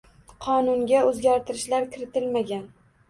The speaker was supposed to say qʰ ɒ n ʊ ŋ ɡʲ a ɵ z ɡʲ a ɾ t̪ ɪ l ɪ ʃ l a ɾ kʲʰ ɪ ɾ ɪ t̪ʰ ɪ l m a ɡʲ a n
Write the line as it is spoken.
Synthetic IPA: qʰ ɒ n ʊ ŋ ɡʲ a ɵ z ɡʲ a ɾ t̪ ɪ ɾ ɪ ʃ l a ɾ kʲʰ ɪ ɾ ɪ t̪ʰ ɪ l m a ɡʲ a n

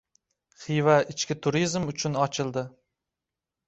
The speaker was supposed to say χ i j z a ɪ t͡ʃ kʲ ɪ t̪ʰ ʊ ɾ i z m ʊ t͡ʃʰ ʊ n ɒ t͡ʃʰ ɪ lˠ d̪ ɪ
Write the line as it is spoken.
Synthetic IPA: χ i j v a ɪ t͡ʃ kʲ ɪ t̪ʰ ʊ ɾ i z m ʊ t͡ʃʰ ʊ n ɒ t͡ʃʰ ɪ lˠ d̪ ɪ

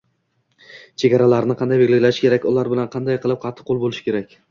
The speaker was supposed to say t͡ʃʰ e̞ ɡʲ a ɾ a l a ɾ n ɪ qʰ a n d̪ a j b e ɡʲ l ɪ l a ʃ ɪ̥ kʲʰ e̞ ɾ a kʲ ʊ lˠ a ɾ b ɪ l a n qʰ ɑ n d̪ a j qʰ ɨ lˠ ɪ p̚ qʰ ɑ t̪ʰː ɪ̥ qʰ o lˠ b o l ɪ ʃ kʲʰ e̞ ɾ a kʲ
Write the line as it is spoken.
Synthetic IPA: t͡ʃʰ e̞ ɡʲ a ɾ a l a ɾ n ɪ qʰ ɑ n d̪ a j b e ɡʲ l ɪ l a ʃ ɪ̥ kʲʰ e̞ ɾ a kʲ ʊ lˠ a ɾ b ɪ l a n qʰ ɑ n d̪ a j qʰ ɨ lˠ ɪ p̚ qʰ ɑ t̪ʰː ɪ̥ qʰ o lˠ b o l ɪ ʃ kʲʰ e̞ ɾ a kʲ

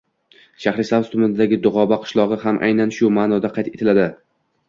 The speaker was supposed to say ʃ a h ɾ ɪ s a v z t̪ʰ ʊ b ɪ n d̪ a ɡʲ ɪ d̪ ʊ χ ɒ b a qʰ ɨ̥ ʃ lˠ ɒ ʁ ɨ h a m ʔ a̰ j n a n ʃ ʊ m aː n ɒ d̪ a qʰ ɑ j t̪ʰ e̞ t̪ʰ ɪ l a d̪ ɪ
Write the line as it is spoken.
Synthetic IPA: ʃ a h ɾ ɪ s a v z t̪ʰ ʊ m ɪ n d̪ a ɡʲ ɪ d̪ ʊ ʁ ɒ b a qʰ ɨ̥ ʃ lˠ ɒ ʁ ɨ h a m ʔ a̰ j n a n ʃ ʊ m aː n ɒ d̪ a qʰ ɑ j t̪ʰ e̞ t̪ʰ ɪ l a d̪ ɪ

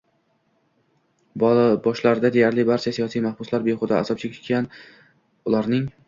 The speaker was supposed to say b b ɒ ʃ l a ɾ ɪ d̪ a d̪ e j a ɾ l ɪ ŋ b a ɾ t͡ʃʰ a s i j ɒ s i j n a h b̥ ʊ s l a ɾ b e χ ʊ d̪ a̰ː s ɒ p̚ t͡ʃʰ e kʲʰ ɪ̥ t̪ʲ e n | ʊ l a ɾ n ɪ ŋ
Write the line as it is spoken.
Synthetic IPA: b b ɒ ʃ l a ɾ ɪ d̪ a d̪ e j a ɾ l ɪ b a ɾ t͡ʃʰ a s i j ɒ s i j m a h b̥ ʊ s l a ɾ b e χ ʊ d̪ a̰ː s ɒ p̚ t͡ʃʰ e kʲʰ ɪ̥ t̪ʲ a n | ʊ l a ɾ n ɪ ŋ

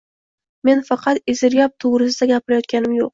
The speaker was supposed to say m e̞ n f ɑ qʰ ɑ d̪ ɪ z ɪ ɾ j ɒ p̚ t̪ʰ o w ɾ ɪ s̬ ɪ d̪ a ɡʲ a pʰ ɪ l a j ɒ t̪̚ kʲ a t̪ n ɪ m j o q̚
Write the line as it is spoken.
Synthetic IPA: m e̞ n f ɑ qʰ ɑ t̪ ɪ z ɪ ɾ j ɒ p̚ t̪ʰ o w ɾ ɪ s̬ ɪ d̪ a ɡʲ a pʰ ɪ ɾ a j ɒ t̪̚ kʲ a n ɪ m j o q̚

